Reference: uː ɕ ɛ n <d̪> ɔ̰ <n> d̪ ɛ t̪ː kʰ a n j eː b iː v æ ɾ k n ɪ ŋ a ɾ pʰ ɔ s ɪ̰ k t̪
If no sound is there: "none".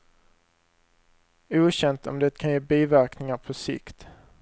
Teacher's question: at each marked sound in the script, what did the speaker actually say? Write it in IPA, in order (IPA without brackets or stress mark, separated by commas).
t̪, m